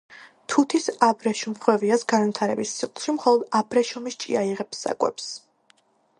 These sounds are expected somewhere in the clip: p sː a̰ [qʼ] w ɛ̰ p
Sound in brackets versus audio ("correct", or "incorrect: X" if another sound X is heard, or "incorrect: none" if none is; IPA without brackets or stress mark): incorrect: kʼ